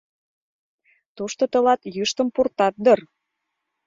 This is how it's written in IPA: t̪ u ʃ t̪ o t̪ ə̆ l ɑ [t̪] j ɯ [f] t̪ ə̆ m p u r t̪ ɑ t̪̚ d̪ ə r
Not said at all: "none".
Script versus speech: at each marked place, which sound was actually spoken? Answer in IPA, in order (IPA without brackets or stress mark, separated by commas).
t̪, ʃ